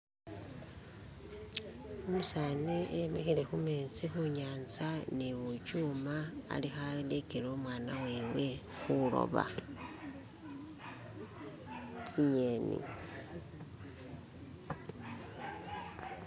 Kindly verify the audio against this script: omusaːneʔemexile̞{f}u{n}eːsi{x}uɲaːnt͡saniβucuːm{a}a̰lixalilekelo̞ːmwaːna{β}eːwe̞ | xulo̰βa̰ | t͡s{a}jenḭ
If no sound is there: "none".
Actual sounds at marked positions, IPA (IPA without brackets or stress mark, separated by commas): x, m, x, a, w, i